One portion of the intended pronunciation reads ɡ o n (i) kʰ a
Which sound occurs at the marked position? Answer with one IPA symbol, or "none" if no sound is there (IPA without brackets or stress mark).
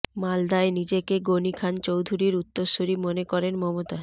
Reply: i